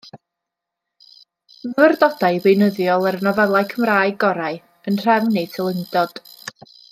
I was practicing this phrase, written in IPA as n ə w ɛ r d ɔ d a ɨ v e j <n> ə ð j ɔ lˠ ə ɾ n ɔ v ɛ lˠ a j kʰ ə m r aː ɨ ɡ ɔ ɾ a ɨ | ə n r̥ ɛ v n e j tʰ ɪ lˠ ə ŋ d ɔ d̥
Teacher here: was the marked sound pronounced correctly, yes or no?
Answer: yes